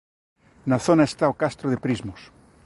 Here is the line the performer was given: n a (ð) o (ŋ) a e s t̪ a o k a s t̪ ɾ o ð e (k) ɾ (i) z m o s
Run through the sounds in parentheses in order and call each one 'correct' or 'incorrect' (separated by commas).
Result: incorrect, incorrect, incorrect, correct